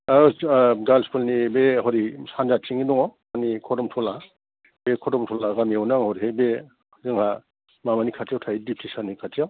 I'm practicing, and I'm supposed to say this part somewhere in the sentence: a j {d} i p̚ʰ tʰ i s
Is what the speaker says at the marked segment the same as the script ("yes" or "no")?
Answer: yes